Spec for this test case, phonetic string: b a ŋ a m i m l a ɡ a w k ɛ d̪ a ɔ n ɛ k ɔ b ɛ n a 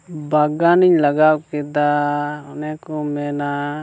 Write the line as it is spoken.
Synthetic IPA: b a ɡ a n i ɲ l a ɡ a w k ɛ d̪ a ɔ n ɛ k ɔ m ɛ n a